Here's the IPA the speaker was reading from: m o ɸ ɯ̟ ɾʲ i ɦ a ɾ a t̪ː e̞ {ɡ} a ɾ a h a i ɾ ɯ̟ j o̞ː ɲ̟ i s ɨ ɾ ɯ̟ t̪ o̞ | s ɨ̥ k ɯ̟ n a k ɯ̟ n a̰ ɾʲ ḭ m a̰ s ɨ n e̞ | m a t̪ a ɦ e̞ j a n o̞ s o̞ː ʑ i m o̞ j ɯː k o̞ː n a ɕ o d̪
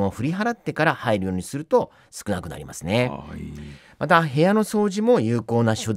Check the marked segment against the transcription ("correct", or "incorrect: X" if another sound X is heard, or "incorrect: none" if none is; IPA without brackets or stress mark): incorrect: k